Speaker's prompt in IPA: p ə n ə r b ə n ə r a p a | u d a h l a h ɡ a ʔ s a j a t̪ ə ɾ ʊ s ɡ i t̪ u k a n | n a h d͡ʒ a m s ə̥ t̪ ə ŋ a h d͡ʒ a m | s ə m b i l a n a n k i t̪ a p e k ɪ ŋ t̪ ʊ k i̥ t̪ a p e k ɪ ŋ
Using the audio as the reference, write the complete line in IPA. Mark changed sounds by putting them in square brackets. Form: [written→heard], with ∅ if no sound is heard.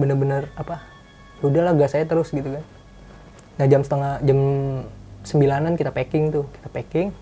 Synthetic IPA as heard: [p→b] ə n ə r b ə n ə r a p a | u d a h l a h ɡ a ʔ s a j a t̪ ə ɾ ʊ s ɡ i t̪ u k a n | n a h d͡ʒ a m s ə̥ t̪ ə ŋ a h d͡ʒ a m | s ə m b i l a n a n k i t̪ a p e k ɪ ŋ t̪ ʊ k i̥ t̪ a p e k ɪ ŋ